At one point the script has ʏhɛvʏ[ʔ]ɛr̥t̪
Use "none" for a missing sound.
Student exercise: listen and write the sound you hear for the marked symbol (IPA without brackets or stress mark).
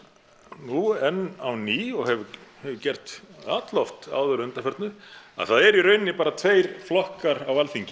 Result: c